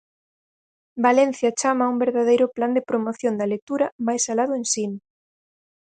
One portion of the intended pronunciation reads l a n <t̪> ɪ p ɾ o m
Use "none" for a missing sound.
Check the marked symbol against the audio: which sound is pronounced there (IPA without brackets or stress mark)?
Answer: d̪